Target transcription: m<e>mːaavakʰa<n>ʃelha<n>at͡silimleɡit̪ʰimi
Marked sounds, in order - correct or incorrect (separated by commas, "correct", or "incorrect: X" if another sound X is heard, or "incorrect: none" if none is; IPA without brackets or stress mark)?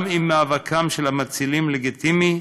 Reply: incorrect: i, incorrect: m, incorrect: m